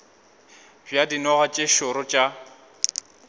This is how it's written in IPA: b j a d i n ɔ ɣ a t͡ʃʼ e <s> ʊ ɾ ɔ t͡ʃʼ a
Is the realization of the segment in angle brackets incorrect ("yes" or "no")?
yes